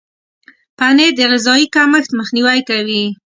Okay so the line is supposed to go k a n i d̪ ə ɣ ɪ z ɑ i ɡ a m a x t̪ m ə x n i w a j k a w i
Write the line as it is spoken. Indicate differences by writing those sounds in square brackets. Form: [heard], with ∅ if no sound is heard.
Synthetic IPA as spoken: [p] a n [e] d̪ ə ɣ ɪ z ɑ i [k] a m [ə] x t̪ m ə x n i w a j k a w i